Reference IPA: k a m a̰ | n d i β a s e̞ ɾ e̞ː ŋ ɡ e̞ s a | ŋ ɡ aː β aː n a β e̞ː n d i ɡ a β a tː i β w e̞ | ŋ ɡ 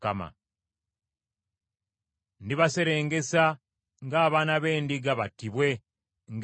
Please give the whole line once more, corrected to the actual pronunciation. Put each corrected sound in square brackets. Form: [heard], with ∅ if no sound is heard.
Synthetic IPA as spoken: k a m a̰ | n d i β a s e̞ ɾ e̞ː ŋ ɡ e̞ s a | ŋ ɡ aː β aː n a β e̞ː n d i ɡ a β a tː i β w e̞ | ŋ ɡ